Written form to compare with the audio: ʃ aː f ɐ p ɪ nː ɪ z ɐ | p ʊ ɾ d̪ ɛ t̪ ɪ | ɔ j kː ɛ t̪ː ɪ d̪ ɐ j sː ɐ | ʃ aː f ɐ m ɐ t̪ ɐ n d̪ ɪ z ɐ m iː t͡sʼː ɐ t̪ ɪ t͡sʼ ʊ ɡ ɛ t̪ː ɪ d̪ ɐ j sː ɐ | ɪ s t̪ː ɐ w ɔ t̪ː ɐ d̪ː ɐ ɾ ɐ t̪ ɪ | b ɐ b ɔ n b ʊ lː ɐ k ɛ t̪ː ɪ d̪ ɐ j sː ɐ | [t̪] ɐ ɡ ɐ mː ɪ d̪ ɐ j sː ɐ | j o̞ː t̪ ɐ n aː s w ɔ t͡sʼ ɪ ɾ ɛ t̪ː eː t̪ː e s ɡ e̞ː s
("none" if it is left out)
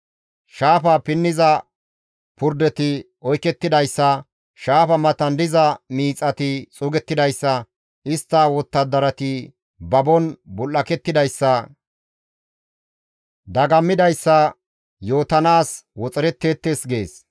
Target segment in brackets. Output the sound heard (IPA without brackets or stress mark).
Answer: d̪